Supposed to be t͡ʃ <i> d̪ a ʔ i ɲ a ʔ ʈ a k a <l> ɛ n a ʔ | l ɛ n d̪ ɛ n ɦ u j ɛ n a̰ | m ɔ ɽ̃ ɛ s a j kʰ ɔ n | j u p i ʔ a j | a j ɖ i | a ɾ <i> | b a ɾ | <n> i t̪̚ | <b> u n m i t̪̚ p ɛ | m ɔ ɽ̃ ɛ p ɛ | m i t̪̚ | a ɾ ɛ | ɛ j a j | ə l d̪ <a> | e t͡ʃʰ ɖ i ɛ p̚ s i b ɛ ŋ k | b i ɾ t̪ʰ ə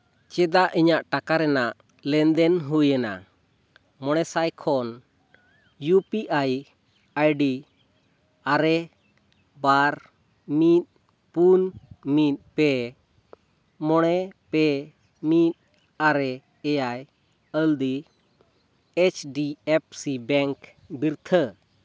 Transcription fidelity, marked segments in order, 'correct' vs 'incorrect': incorrect: ɛ, incorrect: ɾ, incorrect: ɛ, incorrect: m, incorrect: p, incorrect: i

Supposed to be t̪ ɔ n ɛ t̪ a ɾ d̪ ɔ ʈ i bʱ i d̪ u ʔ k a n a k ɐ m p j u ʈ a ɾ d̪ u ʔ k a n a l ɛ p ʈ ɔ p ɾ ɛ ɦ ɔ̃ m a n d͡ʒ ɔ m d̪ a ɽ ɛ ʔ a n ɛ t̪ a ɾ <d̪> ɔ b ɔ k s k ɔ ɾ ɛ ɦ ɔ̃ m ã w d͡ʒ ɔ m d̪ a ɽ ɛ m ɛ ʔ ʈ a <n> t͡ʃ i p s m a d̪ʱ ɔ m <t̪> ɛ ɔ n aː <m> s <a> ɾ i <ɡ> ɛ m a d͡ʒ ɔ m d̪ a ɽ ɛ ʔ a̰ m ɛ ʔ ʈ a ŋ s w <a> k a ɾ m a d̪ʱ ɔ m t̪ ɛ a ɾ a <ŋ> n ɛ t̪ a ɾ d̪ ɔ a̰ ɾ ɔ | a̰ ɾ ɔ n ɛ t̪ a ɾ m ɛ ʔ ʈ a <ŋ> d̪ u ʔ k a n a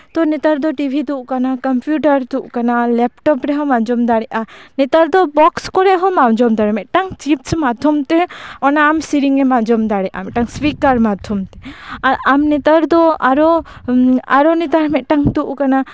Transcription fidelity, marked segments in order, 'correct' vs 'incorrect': correct, incorrect: ŋ, correct, correct, incorrect: i, incorrect: ŋ, incorrect: i, incorrect: m, correct

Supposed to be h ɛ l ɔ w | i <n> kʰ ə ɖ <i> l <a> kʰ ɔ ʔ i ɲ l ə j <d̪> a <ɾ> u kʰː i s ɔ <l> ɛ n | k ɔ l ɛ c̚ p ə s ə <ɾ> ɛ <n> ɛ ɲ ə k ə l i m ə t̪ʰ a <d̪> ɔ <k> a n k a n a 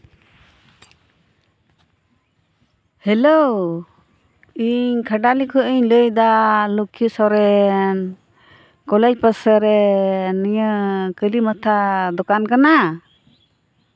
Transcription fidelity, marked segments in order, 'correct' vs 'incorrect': incorrect: ɲ, incorrect: a, incorrect: i, correct, incorrect: l, incorrect: ɾ, correct, correct, correct, correct

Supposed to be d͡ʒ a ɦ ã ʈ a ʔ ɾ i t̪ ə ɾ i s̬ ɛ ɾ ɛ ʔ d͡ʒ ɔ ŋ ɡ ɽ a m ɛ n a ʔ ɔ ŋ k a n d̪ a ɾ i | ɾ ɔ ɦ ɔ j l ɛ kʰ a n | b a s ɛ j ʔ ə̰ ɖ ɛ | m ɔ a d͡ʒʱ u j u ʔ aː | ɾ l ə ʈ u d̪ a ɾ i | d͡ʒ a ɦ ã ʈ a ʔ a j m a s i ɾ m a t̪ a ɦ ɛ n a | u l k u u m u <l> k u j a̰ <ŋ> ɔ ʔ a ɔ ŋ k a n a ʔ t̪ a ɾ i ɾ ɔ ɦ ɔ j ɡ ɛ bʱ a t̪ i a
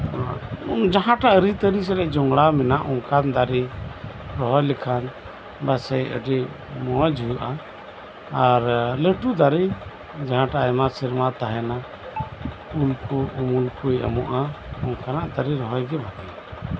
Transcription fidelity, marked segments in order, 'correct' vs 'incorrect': correct, incorrect: m

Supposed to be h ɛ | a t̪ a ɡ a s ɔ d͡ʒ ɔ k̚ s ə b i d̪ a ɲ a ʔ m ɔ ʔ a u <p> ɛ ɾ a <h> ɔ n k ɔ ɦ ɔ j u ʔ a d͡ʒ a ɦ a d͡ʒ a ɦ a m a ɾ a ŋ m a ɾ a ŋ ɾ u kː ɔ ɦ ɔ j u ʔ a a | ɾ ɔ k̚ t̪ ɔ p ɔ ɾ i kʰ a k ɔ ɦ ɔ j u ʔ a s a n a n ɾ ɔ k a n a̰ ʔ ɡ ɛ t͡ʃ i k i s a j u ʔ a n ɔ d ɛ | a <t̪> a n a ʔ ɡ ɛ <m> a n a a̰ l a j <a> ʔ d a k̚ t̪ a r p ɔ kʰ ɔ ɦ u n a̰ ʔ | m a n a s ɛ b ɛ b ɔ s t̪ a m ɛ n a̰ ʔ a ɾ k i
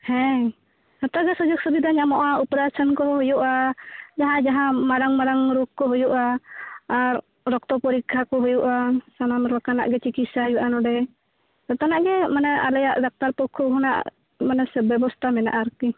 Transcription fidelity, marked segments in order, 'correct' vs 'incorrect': correct, incorrect: s, correct, correct, correct

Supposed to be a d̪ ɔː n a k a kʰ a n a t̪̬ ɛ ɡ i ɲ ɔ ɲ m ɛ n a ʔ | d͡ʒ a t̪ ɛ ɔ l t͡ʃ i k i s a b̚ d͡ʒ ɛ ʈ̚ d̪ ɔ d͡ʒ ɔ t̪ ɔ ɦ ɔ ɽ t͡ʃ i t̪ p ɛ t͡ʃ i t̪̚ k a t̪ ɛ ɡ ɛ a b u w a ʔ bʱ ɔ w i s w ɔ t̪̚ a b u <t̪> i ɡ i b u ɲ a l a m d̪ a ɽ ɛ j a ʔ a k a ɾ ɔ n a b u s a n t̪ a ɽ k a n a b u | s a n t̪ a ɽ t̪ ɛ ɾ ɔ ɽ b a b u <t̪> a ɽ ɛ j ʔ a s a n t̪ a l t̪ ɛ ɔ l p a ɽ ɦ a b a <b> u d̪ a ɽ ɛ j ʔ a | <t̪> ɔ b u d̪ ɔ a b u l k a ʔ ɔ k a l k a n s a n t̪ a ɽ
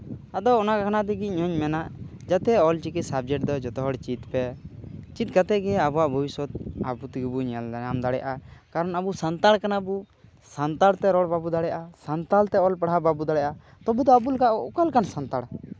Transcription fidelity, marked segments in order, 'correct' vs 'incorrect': correct, incorrect: d̪, correct, correct

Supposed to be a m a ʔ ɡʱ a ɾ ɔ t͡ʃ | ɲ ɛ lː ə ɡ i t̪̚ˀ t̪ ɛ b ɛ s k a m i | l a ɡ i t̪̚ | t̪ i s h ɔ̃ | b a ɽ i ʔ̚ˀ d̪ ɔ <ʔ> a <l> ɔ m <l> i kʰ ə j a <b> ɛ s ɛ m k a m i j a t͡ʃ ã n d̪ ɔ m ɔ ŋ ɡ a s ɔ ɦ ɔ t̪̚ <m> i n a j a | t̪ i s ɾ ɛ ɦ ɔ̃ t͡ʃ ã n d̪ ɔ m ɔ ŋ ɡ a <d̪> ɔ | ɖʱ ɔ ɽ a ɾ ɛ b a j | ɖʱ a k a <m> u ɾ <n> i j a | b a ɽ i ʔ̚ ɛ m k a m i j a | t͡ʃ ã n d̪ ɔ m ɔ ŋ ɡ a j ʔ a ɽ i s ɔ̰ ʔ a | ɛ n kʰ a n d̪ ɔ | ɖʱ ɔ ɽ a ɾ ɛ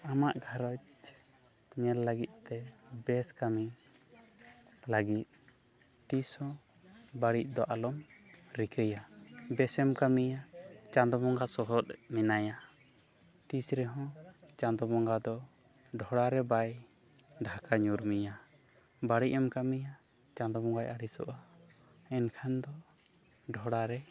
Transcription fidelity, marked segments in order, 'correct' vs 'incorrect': correct, correct, incorrect: ɾ, correct, correct, correct, incorrect: ɲ, incorrect: m

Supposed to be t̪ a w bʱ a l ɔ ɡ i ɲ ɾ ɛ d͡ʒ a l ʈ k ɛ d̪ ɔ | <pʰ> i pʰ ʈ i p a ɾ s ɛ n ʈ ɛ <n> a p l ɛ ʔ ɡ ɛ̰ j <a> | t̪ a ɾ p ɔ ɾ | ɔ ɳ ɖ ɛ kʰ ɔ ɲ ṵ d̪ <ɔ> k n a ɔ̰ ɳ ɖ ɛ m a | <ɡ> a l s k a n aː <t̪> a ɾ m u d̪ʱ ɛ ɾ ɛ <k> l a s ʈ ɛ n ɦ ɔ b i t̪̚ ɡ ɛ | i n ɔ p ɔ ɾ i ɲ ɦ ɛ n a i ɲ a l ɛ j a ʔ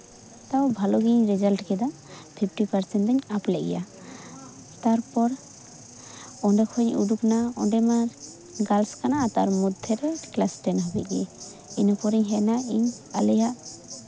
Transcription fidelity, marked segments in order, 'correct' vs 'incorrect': correct, incorrect: ɲ, correct, incorrect: u, correct, correct, correct

